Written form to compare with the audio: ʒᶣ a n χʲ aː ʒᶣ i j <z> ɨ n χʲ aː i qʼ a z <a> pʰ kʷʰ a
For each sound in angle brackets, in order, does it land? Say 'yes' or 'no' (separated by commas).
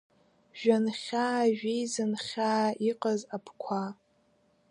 yes, yes